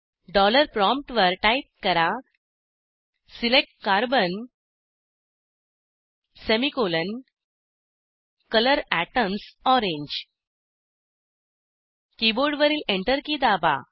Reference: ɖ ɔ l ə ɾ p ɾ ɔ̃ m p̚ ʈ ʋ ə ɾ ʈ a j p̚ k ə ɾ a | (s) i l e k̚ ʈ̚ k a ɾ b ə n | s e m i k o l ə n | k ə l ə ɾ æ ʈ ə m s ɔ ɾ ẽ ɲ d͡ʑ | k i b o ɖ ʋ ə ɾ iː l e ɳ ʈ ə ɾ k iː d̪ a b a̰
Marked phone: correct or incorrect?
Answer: correct